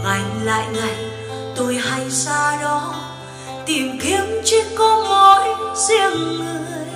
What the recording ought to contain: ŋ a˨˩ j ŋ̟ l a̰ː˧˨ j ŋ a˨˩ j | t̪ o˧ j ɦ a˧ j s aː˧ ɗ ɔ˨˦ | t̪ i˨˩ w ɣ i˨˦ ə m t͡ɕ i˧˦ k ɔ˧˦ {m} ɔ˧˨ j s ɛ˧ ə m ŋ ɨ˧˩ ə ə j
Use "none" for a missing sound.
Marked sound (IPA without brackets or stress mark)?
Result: m